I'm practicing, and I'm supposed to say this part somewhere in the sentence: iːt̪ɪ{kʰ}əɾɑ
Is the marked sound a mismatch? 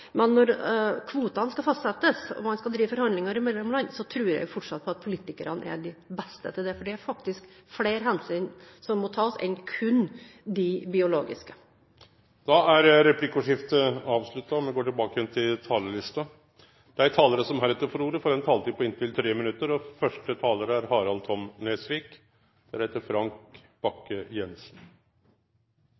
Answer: yes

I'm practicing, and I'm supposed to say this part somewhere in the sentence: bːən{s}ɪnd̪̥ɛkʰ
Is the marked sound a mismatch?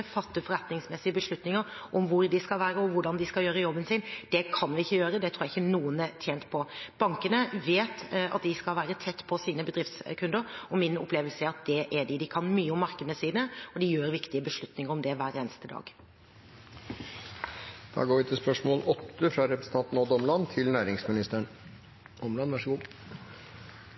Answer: no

